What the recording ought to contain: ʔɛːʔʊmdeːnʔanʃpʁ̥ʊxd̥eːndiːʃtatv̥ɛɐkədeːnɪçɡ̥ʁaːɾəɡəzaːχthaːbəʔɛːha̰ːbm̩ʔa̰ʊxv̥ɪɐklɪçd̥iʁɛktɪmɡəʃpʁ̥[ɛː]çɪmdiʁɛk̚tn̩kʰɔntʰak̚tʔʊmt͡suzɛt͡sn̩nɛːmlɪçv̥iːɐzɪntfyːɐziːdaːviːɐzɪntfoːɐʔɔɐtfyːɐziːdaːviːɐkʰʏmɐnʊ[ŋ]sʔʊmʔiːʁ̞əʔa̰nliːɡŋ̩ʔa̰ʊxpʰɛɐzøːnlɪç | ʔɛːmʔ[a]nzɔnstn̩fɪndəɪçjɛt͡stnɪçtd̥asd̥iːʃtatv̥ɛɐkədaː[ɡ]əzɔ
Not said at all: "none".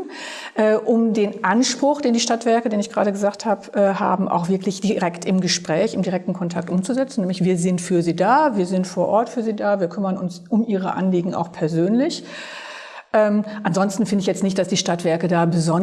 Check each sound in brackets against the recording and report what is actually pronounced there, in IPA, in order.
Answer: ɛː, n, a, b

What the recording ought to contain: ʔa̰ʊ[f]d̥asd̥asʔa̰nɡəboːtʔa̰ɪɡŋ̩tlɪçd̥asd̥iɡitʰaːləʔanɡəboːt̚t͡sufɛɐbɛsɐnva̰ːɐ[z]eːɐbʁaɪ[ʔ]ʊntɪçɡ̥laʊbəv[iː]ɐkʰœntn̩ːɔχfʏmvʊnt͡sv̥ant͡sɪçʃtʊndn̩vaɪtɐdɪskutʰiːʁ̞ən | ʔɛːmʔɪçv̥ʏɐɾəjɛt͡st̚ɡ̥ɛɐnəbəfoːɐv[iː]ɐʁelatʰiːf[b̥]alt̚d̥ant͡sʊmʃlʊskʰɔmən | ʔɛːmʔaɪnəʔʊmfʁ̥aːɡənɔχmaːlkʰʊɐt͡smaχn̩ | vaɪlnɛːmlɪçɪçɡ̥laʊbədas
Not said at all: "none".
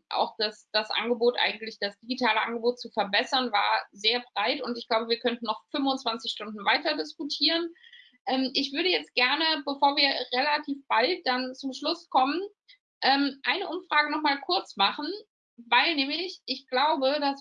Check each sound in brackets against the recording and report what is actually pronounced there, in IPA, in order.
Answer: x, z, t, iː, iː, b̥

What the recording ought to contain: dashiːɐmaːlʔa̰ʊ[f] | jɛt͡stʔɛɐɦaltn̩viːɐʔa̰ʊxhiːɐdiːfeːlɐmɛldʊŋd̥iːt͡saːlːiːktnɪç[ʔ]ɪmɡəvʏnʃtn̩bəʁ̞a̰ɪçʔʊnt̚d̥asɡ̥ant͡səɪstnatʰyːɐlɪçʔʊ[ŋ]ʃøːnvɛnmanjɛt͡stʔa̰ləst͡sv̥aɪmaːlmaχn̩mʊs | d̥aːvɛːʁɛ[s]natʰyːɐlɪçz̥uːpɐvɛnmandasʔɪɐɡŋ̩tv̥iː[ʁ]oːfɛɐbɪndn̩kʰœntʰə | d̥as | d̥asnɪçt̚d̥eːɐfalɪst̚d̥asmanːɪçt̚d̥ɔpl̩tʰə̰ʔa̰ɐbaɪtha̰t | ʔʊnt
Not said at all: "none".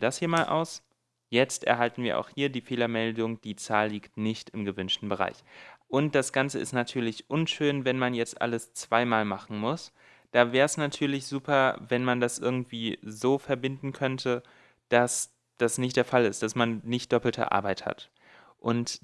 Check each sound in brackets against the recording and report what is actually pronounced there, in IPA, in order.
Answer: s, t, n, s, z

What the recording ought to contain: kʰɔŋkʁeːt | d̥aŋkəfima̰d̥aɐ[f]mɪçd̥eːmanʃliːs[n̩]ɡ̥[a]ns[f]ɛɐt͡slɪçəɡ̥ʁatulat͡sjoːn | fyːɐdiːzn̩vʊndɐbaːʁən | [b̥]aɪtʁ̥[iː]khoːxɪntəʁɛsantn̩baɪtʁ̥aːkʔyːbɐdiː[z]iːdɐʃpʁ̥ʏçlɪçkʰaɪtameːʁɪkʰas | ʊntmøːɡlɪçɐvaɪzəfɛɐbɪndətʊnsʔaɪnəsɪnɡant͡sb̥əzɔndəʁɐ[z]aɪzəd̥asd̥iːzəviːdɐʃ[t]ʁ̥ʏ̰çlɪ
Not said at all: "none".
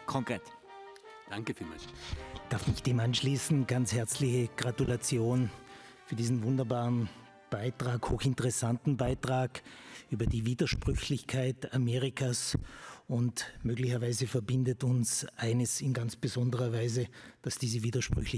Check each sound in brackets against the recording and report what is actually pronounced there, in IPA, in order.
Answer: f, n̩, a, h, b̥, aː, v, v, p

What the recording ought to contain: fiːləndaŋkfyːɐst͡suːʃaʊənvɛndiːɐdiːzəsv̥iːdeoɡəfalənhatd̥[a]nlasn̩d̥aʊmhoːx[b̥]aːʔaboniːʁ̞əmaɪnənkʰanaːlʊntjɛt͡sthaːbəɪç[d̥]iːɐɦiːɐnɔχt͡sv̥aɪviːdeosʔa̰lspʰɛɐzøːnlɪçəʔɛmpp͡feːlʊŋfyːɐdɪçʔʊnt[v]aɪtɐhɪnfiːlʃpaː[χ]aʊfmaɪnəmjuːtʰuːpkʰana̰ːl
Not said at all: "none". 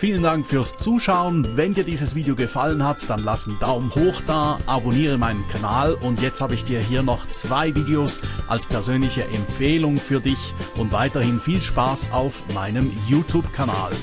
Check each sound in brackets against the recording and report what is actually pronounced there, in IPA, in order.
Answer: a, d̥, d̥, v, s

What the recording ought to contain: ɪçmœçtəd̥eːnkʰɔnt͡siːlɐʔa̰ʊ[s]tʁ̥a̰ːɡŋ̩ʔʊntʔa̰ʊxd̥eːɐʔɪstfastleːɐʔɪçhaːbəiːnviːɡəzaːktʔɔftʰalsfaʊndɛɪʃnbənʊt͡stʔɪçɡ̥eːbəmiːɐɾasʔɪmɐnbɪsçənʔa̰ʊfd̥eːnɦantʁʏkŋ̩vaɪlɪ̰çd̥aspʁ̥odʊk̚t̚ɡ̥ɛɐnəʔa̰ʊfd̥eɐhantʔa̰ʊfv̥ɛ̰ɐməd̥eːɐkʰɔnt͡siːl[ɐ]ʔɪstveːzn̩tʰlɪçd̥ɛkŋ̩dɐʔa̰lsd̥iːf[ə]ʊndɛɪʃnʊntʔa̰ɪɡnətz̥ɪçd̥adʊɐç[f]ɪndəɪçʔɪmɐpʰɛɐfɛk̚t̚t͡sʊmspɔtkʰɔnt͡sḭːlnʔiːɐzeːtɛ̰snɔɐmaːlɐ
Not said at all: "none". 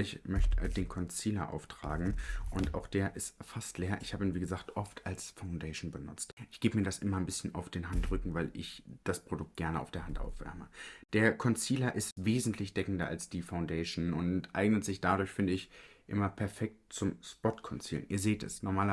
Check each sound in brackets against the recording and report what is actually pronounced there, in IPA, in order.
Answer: f, ɐ, a, f

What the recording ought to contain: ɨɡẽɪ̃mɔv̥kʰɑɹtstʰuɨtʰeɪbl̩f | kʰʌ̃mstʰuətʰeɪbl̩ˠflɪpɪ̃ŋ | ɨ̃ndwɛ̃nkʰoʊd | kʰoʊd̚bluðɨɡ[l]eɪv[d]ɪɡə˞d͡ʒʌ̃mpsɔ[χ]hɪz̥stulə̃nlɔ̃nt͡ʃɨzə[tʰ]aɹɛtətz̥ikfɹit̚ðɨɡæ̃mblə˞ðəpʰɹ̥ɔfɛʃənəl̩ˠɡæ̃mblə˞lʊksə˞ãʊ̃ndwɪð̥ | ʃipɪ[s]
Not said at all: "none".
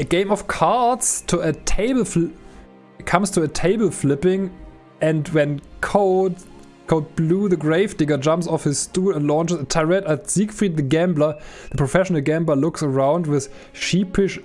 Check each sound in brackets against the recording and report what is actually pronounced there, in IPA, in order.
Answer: ɹ, d, f, tʰ, ʃ

